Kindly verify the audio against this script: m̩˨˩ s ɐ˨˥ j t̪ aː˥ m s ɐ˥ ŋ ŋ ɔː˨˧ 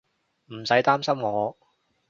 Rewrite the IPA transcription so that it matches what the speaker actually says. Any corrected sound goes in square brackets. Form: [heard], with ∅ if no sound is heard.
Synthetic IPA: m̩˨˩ s ɐ˨˥ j t̪ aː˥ m s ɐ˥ [m] ŋ ɔː˨˧